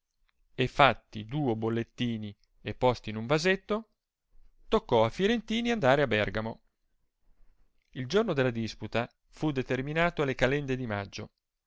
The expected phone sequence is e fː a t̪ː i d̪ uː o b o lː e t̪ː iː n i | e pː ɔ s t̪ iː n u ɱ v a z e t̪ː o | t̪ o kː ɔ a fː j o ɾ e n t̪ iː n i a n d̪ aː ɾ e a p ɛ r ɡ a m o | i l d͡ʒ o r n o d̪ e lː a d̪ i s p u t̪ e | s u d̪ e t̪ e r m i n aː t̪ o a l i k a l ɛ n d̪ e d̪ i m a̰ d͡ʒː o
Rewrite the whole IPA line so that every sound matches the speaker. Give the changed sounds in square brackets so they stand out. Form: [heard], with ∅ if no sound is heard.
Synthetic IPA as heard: e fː a t̪ː i d̪ uː o b o lː e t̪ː iː n i | e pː ɔ s t̪ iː n u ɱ v a z e t̪ː o | t̪ o kː ɔ a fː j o ɾ e n t̪ iː n i a n d̪ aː ɾ e a [b] ɛ r ɡ a m o | i l d͡ʒ o r n o d̪ e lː a d̪ i s p u t̪ [a] | [f] u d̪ e t̪ e r m i n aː t̪ o a l [e] k a l ɛ n d̪ e d̪ i m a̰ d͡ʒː o